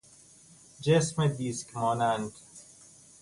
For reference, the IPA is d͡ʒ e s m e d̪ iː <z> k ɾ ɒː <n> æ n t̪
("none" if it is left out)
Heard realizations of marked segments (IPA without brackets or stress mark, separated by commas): s, n